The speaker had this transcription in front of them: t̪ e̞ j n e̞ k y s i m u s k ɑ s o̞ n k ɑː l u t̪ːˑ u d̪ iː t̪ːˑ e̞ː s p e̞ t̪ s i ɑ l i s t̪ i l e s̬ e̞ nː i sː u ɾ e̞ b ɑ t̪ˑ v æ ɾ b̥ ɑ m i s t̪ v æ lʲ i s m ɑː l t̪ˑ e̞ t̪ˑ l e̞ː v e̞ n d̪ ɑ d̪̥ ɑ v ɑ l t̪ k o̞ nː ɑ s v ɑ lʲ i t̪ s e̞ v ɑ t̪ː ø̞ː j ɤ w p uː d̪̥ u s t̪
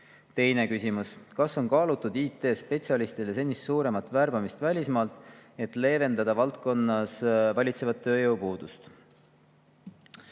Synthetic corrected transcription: t̪ e̞ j n e̞ k y s i m u s k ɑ s o̞ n k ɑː l u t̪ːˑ u d̪ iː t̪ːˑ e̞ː s p e̞ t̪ s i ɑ l i s t̪ i l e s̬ e̞ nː i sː uː ɾ e̞ m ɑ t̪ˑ v æ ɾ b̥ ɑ m i s t̪ v æ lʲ i s m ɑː l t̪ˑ e̞ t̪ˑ l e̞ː v e̞ n d̪ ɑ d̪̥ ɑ v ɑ l t̪ k o̞ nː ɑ s v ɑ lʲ i t̪ s e̞ v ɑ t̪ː ø̞ː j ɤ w p uː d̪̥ u s t̪